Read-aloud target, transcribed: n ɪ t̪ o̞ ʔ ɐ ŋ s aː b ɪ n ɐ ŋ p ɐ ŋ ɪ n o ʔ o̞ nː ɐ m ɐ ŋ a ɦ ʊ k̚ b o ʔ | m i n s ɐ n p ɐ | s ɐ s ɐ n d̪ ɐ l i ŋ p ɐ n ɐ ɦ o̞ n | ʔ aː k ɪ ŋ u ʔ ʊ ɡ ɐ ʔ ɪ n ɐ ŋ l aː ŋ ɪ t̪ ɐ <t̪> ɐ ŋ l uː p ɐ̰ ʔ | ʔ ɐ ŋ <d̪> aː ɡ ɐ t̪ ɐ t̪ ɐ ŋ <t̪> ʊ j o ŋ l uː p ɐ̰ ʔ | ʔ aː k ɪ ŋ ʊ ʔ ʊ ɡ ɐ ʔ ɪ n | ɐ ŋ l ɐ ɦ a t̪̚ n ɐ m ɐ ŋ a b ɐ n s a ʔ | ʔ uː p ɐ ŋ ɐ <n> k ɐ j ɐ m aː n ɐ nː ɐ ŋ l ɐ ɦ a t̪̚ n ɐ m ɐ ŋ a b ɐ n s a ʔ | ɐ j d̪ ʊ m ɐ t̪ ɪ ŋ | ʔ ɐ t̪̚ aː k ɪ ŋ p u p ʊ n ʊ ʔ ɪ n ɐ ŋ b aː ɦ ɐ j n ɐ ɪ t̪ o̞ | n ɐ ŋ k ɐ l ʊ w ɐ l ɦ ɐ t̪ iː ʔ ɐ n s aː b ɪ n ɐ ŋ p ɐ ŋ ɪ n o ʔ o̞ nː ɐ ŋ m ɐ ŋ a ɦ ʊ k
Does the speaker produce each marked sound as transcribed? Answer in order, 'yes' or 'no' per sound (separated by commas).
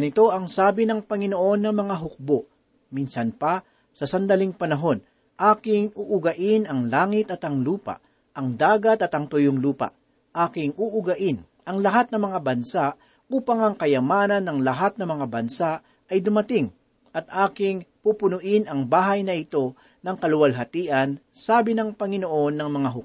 yes, yes, yes, no